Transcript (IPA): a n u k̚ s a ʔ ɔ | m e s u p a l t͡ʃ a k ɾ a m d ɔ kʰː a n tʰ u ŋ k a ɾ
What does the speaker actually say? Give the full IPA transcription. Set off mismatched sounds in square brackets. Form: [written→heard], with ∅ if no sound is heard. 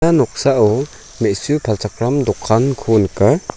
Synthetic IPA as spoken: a n [u→ɔ] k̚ s a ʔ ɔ | m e s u [p→pʰ] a l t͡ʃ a k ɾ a m d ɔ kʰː a n [tʰ→kʰ] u [ŋ→n] k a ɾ

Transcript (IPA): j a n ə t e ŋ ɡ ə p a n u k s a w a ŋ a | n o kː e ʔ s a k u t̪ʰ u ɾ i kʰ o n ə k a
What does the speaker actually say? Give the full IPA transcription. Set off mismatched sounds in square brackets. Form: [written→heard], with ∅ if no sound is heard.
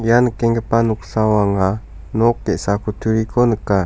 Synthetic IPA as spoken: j a n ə [t→k] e ŋ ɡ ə p a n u k s a w a ŋ a | n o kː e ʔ s a k u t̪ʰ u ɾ i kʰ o n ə k a

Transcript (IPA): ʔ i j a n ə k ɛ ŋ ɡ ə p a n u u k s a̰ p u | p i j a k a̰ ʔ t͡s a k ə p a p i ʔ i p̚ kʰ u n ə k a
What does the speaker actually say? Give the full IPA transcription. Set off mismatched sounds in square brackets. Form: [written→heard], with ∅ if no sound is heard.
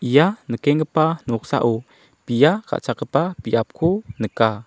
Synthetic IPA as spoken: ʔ i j a n ə k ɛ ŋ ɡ ə p a n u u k s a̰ [p→ʔ] u | p i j a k a̰ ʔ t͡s a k ə p a p i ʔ [i→a] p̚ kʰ u n ə k a

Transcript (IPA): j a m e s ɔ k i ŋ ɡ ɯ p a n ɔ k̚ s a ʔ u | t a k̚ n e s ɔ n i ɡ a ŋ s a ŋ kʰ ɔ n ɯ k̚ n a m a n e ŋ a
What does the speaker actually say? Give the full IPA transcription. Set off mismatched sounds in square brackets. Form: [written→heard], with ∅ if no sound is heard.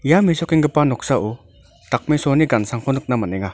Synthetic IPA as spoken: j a m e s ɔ k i ŋ ɡ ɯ p a n ɔ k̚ s a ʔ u | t a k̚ [n→m] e s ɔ n i ɡ a [ŋ→n] s a ŋ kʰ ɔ n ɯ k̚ n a m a n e ŋ a

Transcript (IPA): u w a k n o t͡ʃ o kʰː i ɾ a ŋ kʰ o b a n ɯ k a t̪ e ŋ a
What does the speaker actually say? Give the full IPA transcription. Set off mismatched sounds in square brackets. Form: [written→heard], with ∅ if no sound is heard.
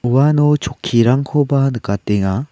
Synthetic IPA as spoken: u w a [k→∅] n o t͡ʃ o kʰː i ɾ a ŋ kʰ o b a n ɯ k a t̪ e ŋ a

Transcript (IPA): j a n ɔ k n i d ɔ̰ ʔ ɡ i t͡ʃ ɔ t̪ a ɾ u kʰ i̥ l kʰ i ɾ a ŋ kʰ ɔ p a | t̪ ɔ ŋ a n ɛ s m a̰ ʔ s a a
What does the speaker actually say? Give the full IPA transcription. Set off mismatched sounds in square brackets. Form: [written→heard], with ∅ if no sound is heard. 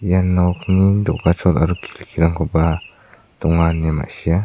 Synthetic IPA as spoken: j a n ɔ k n i d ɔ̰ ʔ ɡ [i→a] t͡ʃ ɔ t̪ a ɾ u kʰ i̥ l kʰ i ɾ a ŋ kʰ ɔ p a | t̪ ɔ ŋ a n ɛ [s→∅] m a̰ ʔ s [a→i] a

